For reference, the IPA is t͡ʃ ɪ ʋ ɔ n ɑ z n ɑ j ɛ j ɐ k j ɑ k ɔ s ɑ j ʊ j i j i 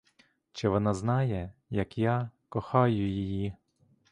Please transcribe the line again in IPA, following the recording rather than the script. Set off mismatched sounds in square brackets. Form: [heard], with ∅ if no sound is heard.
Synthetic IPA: t͡ʃ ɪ ʋ ɔ n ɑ z n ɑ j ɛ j ɐ k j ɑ k ɔ [x] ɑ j ʊ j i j i

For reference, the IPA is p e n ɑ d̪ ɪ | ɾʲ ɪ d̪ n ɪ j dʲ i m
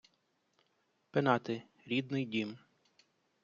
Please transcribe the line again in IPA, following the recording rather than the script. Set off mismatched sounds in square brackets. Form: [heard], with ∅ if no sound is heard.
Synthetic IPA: p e n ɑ [t̪] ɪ | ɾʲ [i] d̪ n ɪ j dʲ i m

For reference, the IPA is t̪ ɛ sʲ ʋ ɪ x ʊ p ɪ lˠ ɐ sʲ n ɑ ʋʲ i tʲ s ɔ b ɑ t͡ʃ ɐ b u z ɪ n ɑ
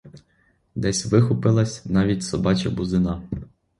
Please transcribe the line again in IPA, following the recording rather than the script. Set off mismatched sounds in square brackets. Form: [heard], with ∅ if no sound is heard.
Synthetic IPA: [d̪] ɛ sʲ ʋ ɪ x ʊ p ɪ lˠ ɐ sʲ n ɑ ʋʲ i tʲ s ɔ b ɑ t͡ʃ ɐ b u z ɪ n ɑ

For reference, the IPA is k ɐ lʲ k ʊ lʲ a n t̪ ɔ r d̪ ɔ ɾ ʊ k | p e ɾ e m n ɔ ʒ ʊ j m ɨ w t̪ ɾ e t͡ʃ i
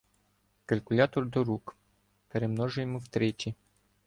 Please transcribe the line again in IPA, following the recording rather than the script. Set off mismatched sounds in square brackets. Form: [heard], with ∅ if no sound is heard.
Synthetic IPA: k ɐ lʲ k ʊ lʲ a [∅] t̪ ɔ r d̪ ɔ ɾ [u] k | p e ɾ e m n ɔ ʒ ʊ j m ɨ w t̪ ɾ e t͡ʃ i

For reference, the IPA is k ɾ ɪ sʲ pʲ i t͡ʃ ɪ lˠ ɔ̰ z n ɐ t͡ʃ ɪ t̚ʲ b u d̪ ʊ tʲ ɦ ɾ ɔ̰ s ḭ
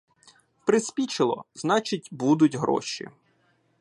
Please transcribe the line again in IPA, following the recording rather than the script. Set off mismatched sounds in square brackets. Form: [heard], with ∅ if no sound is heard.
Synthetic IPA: [p] ɾ ɪ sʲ pʲ i t͡ʃ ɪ lˠ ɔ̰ z n [ɑ] t͡ʃ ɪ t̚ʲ b u d̪ ʊ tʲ ɦ ɾ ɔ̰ [ʃ] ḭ

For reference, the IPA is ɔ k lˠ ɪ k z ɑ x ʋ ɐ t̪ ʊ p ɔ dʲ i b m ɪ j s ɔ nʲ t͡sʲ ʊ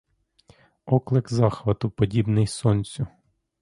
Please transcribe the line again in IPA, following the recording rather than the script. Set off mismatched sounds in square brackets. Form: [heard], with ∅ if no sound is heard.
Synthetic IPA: ɔ k lˠ ɪ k z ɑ x ʋ ɐ t̪ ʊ p ɔ dʲ i b [n] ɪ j s ɔ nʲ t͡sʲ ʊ

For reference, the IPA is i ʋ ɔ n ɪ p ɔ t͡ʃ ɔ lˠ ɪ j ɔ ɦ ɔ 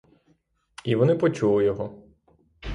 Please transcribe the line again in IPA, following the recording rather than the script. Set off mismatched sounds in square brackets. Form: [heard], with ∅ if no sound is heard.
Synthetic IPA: i ʋ ɔ n ɪ p ɔ t͡ʃ [u] lˠ ɪ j ɔ ɦ ɔ

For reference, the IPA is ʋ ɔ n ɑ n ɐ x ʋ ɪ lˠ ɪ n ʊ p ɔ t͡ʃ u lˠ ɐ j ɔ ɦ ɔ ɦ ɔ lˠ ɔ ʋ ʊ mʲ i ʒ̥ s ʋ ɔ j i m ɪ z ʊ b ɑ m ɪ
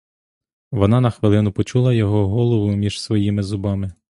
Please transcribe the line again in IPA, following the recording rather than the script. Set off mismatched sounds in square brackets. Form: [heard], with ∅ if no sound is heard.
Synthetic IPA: ʋ ɔ n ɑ n ɐ x ʋ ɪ lˠ ɪ n ʊ p ɔ t͡ʃ u lˠ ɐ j ɔ ɦ ɔ ɦ ɔ lˠ ɔ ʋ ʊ mʲ i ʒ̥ s ʋ ɔ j i m ɪ z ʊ b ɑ m ɪ

